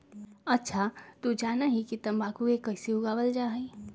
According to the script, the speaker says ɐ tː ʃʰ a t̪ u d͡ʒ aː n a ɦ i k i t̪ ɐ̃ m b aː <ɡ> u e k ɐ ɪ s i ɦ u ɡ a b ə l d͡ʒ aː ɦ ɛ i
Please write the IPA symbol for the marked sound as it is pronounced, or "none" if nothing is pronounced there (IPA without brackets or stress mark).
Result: k